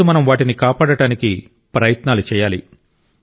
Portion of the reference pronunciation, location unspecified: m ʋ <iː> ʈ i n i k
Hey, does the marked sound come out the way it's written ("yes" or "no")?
no